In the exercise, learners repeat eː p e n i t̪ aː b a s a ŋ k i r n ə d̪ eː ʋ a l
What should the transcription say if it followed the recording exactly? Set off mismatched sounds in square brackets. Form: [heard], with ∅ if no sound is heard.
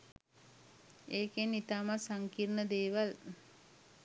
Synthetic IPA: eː [k] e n i t̪ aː [m] a s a ŋ k i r n ə d̪ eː ʋ a l